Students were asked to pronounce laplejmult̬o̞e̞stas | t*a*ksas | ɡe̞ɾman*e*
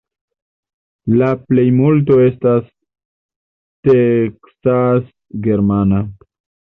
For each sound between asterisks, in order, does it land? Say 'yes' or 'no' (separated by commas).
no, no